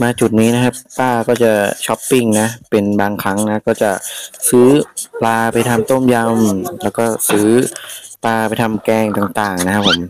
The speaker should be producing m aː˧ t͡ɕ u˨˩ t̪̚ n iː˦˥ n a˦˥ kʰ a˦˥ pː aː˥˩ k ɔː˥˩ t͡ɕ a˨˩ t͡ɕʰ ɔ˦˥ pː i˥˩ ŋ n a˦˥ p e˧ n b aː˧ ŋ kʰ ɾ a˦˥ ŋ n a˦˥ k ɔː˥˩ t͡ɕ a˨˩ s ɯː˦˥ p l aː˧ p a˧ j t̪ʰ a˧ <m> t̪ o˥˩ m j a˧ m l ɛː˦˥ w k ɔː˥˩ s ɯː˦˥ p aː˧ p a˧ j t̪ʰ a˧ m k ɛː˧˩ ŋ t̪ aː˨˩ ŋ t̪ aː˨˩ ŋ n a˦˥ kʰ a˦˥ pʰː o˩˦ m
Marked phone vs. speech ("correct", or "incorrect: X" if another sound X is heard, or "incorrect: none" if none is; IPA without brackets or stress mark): correct